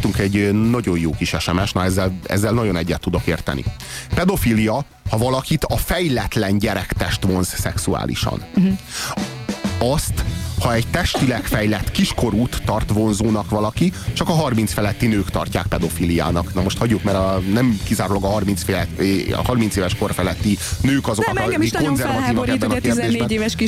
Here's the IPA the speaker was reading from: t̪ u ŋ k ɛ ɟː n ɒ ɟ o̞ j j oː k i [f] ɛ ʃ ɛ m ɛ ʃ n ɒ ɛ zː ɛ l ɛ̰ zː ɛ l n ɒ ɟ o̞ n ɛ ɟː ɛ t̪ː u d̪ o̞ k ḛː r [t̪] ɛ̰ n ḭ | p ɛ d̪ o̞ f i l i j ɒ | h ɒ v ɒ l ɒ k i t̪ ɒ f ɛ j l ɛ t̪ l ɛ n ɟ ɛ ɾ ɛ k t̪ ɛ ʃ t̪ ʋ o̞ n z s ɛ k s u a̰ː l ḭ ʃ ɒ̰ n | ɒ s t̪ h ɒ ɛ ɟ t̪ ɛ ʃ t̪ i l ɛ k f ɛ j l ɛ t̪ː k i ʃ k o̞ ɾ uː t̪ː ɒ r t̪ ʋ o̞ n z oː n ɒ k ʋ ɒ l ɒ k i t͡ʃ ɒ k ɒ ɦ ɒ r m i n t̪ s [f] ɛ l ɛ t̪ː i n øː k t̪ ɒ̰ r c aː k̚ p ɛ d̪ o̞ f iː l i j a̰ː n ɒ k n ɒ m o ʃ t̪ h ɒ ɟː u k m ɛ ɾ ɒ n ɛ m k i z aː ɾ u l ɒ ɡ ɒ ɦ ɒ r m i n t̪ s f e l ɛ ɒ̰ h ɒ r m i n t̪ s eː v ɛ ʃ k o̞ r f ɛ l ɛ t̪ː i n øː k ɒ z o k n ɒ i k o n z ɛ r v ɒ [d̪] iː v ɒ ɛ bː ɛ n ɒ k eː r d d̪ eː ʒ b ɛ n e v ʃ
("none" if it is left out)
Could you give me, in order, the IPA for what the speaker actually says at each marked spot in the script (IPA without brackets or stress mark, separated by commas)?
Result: ʃ, t̪, f, t̪